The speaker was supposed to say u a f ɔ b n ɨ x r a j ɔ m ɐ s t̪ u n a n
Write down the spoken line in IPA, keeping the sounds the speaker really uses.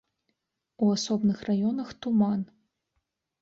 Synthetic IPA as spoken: u a s ɔ b n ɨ x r a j ɔ n ɐ x t̪ u m a n